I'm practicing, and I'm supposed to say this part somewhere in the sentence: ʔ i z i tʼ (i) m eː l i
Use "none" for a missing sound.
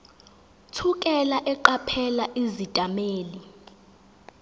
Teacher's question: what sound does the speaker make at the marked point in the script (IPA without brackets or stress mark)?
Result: a